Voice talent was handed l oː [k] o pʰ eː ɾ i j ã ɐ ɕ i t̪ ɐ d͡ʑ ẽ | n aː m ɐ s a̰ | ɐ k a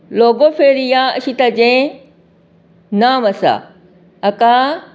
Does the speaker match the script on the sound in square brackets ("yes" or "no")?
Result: no